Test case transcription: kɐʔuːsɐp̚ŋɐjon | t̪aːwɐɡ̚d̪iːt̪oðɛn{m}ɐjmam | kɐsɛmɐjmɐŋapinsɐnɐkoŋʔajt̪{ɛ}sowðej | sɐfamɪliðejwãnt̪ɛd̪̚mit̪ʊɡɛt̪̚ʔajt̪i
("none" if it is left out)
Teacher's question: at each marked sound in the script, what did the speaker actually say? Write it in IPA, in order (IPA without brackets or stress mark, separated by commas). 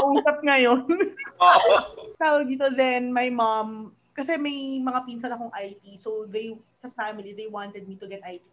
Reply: m, i